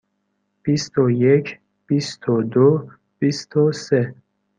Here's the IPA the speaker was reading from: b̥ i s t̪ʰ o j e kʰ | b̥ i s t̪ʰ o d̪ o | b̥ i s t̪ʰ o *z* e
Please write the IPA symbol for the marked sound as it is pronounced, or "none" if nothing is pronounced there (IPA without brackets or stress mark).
s